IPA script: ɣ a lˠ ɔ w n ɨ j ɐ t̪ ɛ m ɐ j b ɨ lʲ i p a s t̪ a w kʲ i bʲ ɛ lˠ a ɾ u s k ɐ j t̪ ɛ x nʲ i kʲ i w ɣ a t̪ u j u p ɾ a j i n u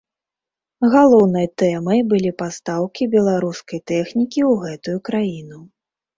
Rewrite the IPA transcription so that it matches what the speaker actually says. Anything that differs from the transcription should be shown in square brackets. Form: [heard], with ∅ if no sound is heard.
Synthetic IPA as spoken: ɣ a lˠ ɔ w n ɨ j ɐ t̪ ɛ m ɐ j b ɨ lʲ i p a s t̪ a w kʲ i bʲ ɛ lˠ a ɾ u s k ɐ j t̪ ɛ x nʲ i kʲ i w ɣ [ɛ] t̪ u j u [k] ɾ a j i n u